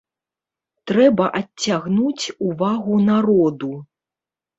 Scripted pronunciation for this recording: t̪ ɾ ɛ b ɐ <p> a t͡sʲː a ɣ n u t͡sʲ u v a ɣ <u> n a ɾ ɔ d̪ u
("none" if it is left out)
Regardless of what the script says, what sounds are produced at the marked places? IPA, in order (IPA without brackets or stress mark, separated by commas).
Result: ʔ, u